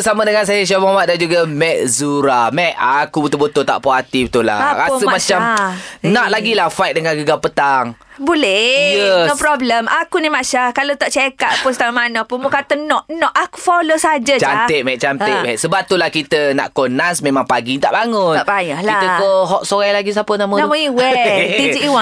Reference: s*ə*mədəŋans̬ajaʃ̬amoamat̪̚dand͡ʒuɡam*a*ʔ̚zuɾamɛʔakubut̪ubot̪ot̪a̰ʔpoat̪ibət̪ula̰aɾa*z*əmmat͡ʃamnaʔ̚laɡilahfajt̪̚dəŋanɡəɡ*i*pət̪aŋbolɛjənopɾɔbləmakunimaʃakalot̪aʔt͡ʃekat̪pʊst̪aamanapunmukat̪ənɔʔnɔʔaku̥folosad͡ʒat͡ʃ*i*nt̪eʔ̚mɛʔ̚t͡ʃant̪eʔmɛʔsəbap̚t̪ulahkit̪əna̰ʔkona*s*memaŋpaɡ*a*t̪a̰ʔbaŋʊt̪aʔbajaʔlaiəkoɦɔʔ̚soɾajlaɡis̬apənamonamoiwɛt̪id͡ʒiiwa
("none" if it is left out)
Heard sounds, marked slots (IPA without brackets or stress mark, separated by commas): a, ɛ, s, a, a, s, i